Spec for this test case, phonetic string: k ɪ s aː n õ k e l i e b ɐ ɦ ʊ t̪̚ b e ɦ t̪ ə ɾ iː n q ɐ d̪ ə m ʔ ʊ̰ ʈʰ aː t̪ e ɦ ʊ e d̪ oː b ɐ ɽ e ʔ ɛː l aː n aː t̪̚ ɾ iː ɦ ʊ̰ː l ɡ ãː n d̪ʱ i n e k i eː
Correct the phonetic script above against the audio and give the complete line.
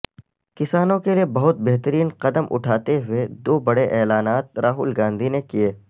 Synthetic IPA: k ɪ s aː n õ k e l i e b ɐ ɦ ʊ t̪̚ b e ɦ t̪ ə ɾ iː n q ɐ d̪ ə m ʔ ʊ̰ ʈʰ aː t̪ e ɦ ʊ e d̪ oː b ɐ ɽ e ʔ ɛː l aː n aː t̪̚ ɾ aː ɦ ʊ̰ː l ɡ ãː n d̪ʱ i n e k i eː

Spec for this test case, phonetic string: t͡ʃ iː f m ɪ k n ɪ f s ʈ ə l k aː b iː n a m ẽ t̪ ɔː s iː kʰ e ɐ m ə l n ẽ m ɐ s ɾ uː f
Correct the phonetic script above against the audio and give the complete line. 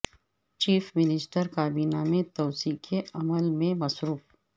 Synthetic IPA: t͡ʃ iː f m ɪ n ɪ s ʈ ə ɾ k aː b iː n a m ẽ t̪ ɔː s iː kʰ e ɐ m ə l m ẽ m ɐ s ɾ uː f

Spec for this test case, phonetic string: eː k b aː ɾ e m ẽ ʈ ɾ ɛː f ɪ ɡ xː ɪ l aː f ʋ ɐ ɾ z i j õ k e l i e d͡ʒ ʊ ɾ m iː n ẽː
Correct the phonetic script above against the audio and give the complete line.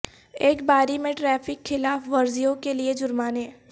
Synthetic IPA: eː k b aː ɾ i m ẽ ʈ ɾ ɛː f ɪ k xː ɪ l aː f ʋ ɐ ɾ z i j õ k e l i e d͡ʒ ʊ ɾ m aː n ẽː

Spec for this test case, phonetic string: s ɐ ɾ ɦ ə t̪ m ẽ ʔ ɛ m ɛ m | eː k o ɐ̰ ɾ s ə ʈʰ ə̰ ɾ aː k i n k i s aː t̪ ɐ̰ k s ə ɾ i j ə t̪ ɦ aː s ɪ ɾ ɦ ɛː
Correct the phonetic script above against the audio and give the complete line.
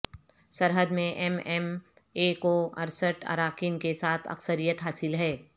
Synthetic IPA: s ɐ ɾ ɦ ə d̪ m ẽ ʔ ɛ m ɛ m | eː k o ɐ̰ ɾ s ə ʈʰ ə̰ ɾ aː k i n k e s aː t̪ʰ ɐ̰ k s ə ɾ i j ə t̪ ɦ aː s ɪ l ɦ ɛː

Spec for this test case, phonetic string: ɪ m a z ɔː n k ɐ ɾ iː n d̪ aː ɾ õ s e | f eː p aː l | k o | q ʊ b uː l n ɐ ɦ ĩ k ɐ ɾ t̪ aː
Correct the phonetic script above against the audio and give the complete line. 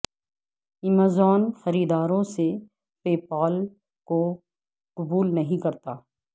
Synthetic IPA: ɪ m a z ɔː n x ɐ ɾ iː d̪ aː ɾ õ s e | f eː p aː l | k o | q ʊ b uː l n ɐ ɦ ĩ k ɐ ɾ t̪ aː

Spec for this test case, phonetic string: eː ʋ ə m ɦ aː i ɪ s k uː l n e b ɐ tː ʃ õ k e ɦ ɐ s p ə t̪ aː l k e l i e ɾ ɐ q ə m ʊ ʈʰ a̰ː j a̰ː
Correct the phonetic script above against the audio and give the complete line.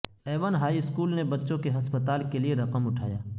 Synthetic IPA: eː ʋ ə n ɦ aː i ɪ s k uː l n e b ɐ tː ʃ õ k e ɦ ɐ s p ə t̪ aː l k e l i e ɾ ɐ q ə m ʊ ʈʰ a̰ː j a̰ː

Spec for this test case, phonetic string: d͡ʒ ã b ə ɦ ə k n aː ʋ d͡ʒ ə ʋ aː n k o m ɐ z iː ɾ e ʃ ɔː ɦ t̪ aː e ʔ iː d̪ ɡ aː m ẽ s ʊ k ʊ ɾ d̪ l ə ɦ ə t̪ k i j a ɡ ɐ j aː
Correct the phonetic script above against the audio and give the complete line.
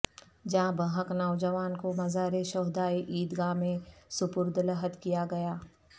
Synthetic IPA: d͡ʒ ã b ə ɦ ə k n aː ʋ d͡ʒ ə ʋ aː n k o m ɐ z aː ɾ e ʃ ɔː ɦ d̪ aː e ʔ iː d̪ ɡ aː m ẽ s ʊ p ʊ ɾ d̪ l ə ɦ ə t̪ k i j a ɡ ɐ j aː

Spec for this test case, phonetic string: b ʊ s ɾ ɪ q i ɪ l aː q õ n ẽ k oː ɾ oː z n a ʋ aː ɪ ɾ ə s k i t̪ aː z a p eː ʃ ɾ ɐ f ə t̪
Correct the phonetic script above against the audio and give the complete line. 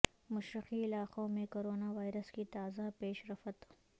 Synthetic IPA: m ʊ ʃ ɾ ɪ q i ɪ l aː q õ m ẽ k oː ɾ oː n a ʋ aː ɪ ɾ ə s k i t̪ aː z a p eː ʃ ɾ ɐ f ə t̪

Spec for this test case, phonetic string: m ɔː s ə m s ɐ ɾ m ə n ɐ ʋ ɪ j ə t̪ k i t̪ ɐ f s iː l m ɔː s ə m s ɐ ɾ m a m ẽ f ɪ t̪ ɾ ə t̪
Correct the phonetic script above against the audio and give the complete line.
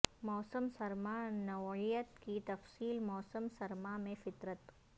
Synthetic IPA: m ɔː s ə m s ɐ ɾ m a n ɐ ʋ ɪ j ə t̪ k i t̪ ɐ f s iː l m ɔː s ə m s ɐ ɾ m a m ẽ f ɪ t̪ ɾ ə t̪

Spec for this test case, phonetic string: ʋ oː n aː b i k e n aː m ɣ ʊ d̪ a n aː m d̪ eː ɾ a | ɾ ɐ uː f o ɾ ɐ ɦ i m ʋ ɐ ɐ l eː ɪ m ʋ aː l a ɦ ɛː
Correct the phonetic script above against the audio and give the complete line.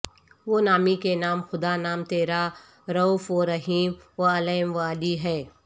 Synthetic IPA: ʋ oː n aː m i k e n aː m x ʊ d̪ a n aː m t̪ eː ɾ a | ɾ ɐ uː f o ɾ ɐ ɦ iː m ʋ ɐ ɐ l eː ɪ m ʋ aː l i ɦ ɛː

